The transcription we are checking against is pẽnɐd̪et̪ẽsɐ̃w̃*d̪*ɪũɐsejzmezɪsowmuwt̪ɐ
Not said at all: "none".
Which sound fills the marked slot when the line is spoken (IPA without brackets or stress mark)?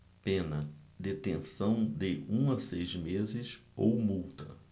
d̪